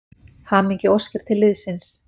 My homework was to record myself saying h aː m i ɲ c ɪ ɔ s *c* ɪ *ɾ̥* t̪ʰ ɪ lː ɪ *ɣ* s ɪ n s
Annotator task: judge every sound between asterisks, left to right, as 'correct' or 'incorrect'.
correct, correct, incorrect: ð

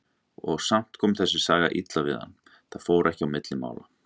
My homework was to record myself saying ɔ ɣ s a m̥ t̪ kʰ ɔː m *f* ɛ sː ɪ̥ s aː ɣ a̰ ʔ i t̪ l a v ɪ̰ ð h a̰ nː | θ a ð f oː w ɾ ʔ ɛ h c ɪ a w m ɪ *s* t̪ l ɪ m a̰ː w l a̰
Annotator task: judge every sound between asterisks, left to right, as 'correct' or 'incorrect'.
incorrect: θ, incorrect: none

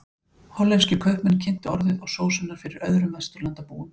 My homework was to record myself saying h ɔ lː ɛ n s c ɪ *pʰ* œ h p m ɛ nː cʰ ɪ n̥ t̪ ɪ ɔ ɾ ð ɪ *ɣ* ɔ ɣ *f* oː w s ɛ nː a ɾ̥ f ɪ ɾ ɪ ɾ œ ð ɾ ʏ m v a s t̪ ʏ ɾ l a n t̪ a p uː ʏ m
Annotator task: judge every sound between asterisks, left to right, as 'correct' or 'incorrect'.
incorrect: kʰ, incorrect: ð, incorrect: s

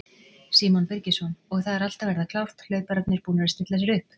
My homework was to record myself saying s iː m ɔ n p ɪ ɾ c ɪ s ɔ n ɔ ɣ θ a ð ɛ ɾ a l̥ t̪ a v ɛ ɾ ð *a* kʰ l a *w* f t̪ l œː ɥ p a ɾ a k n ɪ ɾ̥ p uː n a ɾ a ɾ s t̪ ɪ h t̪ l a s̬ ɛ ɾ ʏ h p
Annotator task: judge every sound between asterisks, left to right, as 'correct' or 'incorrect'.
correct, correct

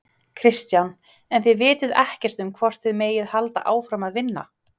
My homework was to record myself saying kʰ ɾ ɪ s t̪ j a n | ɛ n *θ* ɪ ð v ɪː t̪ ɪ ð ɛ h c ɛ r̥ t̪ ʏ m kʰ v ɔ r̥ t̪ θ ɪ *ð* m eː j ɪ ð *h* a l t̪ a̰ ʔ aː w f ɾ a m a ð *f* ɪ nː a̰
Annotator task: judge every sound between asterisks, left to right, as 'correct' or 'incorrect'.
correct, correct, correct, incorrect: v

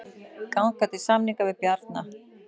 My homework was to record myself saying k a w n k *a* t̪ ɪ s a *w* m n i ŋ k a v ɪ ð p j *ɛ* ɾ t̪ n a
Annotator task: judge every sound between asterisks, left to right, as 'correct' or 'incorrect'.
correct, incorrect: none, incorrect: a

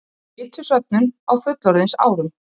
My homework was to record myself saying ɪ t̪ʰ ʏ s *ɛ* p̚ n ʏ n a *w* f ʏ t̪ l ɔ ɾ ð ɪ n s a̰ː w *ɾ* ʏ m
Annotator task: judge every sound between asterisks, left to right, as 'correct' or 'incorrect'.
incorrect: œ, correct, correct

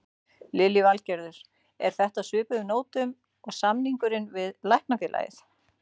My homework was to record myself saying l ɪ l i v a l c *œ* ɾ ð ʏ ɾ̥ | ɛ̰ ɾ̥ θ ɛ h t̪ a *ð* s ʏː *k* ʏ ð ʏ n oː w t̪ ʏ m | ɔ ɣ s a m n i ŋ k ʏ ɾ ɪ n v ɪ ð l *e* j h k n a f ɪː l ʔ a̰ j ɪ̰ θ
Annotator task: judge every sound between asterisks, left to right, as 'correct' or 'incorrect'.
incorrect: ɛ, correct, incorrect: p, incorrect: a

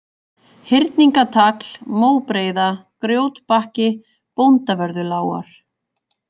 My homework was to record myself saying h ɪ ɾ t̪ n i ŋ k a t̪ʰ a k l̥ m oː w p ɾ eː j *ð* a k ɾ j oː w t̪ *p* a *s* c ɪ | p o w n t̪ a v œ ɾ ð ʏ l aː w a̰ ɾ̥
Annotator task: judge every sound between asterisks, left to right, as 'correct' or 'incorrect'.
correct, correct, incorrect: h

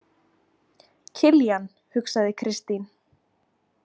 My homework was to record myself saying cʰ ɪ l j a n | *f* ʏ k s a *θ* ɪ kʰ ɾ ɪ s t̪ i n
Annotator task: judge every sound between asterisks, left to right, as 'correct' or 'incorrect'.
incorrect: h, incorrect: ð

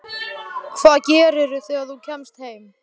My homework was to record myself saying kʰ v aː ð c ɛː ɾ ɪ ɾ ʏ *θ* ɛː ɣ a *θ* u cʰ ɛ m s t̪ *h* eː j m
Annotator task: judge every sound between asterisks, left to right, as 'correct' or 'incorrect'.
correct, correct, correct

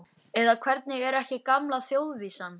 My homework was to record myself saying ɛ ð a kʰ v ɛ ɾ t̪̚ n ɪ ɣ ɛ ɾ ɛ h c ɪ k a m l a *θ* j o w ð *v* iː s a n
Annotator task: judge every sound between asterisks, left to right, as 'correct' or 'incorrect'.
correct, correct

